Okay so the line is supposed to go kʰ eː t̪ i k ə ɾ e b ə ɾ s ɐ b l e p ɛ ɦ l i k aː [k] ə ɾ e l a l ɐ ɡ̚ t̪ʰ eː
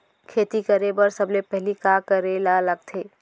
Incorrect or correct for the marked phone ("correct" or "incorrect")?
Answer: correct